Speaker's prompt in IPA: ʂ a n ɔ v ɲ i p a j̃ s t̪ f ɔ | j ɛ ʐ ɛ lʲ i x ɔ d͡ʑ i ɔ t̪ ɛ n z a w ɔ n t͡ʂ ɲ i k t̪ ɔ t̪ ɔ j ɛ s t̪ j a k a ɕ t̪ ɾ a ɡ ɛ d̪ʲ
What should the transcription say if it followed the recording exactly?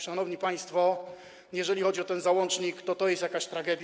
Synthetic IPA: ʂ a n ɔ v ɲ i p a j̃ s t̪ f ɔ | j ɛ ʐ ɛ lʲ i x ɔ d͡ʑ i ɔ t̪ ɛ n z a w ɔ n t͡ʂ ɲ i k t̪ ɔ t̪ ɔ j ɛ s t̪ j a k a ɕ t̪ ɾ a ɡ ɛ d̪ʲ

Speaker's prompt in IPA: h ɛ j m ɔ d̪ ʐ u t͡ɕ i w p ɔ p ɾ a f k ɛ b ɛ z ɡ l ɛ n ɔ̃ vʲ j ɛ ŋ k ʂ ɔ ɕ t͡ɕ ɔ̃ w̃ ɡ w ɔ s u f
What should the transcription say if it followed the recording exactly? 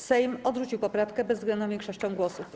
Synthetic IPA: s ɛ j m ɔ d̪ ʐ u t͡ɕ i w p ɔ p ɾ a f k ɛ b ɛ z ɡ l ɛ n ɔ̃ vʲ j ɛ ŋ k ʂ ɔ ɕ t͡ɕ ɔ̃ w̃ ɡ w ɔ s u f

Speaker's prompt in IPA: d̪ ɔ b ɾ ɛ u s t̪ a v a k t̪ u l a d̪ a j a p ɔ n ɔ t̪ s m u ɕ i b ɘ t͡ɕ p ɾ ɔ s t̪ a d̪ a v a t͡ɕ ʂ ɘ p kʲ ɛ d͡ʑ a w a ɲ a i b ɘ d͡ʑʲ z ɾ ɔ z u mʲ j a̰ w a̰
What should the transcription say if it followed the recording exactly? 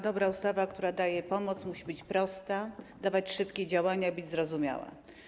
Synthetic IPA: d̪ ɔ b ɾ a u s t̪ a v a k t̪ u ɾ a d̪ a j ɛ p ɔ m ɔ t̪ s m u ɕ i b ɘ t͡ɕ p ɾ ɔ s t̪ a d̪ a v a t͡ɕ ʂ ɘ p kʲ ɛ d͡ʑ a w a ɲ a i b ɘ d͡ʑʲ z ɾ ɔ z u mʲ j a̰ w a̰

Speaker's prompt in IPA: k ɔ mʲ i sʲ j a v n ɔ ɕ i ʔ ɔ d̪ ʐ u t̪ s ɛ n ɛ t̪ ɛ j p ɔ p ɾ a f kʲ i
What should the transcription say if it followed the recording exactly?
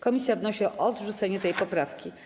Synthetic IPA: k ɔ mʲ i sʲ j a v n ɔ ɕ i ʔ ɔ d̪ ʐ u t̪ s ɛ ɲ ɛ t̪ ɛ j p ɔ p ɾ a f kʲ i

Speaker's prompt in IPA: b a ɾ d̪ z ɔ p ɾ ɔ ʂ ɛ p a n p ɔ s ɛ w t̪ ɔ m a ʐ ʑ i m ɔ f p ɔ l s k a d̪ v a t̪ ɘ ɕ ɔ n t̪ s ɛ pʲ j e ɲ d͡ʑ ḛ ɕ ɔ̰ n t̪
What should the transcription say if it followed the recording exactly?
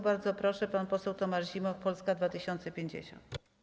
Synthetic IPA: b a ɾ d̪ z ɔ p ɾ ɔ ʂ ɛ p a n p ɔ s ɛ w t̪ ɔ m a ʐ ʑ i m ɔ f p ɔ l s k a d̪ v a t̪ ɘ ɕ ɔ n t̪ s ɛ pʲ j e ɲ d͡ʑ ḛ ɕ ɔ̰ n t̪

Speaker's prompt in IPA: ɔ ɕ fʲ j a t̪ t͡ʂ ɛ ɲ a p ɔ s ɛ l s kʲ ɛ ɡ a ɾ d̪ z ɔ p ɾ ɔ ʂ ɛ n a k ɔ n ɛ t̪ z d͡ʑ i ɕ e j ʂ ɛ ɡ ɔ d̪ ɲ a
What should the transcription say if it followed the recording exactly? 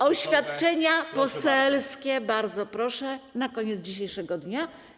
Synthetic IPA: ɔ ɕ fʲ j a t̪ t͡ʂ ɛ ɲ a p ɔ s ɛ l s kʲ ɛ b a ɾ d̪ z ɔ p ɾ ɔ ʂ ɛ n a k ɔ ɲ ɛ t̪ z d͡ʑ i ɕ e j ʂ ɛ ɡ ɔ d̪ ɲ a

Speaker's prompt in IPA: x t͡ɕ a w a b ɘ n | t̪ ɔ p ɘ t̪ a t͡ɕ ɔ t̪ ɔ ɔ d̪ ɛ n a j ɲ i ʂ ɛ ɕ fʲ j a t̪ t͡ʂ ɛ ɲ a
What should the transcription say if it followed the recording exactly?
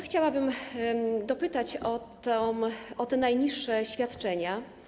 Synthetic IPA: x t͡ɕ a w a b ɘ m | d̪ ɔ p ɘ t̪ a t͡ɕ ɔ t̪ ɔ ɔ t̪ ɛ n a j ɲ i ʂː ɛ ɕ fʲ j a t̪ t͡ʂ ɛ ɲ a

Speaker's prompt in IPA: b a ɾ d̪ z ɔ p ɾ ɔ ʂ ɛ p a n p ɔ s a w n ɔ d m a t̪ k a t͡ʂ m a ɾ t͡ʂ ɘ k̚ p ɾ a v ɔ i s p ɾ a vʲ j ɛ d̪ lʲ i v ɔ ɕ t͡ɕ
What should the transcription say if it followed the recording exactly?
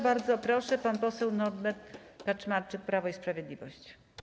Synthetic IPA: b a ɾ d̪ z ɔ p ɾ ɔ ʂ ɛ p a n p ɔ s ɛ w n ɔ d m ɛ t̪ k a t͡ʂ m a ɾ t͡ʂ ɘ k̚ p ɾ a v ɔ i s p ɾ a vʲ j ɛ d̪ lʲ i v ɔ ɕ t͡ɕ

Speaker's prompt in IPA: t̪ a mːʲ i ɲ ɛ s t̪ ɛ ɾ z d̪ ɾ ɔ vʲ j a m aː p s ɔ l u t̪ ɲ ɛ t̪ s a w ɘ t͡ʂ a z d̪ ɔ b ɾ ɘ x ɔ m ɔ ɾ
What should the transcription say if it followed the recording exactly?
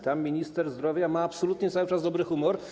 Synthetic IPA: t̪ a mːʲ i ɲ i s t̪ ɛ ɾ z d̪ ɾ ɔ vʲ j a m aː p s ɔ l u t̪ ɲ ɛ t̪ s a w ɘ t͡ʂ a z d̪ ɔ b ɾ ɘ x u m ɔ ɾ

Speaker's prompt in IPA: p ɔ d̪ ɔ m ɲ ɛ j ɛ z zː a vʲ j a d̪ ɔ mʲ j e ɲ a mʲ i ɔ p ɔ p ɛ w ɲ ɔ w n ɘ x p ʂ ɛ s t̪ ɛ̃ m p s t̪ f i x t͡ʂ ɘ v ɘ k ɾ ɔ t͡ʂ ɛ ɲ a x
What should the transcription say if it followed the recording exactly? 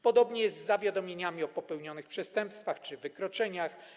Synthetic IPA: p ɔ d̪ ɔ b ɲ ɛ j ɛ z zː a vʲ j a d̪ ɔ mʲ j e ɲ a mʲ i ɔ p ɔ p ɛ w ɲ ɔ n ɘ x p ʂ ɛ s t̪ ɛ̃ m p s t̪ f a x t͡ʂ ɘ v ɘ k ɾ ɔ t͡ʂ ɛ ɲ a x

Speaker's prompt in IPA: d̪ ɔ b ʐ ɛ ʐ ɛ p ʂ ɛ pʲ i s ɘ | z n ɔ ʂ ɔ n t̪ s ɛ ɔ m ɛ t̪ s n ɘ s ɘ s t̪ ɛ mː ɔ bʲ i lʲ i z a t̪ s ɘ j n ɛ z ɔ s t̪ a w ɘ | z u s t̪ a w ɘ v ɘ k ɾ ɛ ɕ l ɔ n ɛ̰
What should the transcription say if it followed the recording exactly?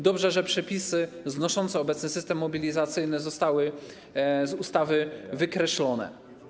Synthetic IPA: d̪ ɔ b ʐ ɛ ʐ ɛ p ʂ ɛ pʲ i s ɘ | z n ɔ ʂ ɔ n t̪ s ɛ ɔ b ɛ t̪ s n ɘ s ɘ s t̪ ɛ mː ɔ bʲ i lʲ i z a t̪ s ɘ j n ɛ z ɔ s t̪ a w ɘ | z u s t̪ a v ɘ v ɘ k ɾ ɛ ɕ l ɔ n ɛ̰

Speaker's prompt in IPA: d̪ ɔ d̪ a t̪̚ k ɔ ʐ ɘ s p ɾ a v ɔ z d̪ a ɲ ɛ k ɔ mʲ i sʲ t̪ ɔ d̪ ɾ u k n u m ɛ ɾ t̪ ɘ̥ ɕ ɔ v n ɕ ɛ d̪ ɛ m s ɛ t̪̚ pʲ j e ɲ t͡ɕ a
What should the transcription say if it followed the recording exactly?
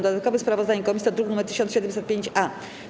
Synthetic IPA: d̪ ɔ d̪ a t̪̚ k ɔ v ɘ s p ɾ a v ɔ z d̪ a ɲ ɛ k ɔ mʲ i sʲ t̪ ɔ d̪ ɾ u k n u m ɛ ɾ t̪ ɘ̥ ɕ ɔ n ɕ ɛ d̪ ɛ m s ɛ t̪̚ pʲ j e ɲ t͡ɕ a

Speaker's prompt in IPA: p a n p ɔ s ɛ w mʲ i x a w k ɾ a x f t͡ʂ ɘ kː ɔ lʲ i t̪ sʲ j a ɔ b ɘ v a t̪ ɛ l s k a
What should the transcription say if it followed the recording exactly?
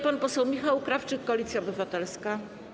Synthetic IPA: p a n p ɔ s ɛ w mʲ i x a w k ɾ a f t͡ʂ ɘ kː ɔ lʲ i t̪ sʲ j a ɔ b ɘ v a t̪ ɛ l s k a

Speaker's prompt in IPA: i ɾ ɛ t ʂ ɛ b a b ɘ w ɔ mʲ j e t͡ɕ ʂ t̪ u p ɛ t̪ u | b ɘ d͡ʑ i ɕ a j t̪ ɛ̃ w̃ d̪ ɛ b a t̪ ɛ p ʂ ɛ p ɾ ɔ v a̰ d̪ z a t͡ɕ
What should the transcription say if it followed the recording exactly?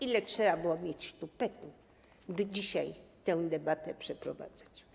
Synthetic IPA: i l ɛ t ʂ ɛ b a b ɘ w ɔ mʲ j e t͡ɕ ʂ t̪ u p ɛ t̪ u | b ɘ d͡ʑ i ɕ a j t̪ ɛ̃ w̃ d̪ ɛ b a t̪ ɛ p ʂ ɛ p ɾ ɔ v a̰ d̪ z a t͡ɕ

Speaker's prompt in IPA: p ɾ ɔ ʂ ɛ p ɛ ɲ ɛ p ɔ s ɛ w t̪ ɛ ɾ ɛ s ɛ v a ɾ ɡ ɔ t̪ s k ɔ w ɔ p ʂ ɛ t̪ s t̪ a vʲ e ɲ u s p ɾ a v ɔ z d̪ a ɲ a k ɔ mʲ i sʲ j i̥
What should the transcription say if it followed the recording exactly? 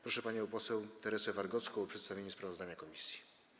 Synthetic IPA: p ɾ ɔ ʂ ɛ p a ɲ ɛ p ɔ s ɛ w t̪ ɛ ɾ ɛ s ɛ v a ɾ ɡ ɔ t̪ s k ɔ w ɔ p ʂ ɛ t̪ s t̪ a vʲ e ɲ u s p ɾ a v ɔ z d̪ a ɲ a k ɔ mʲ i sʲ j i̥

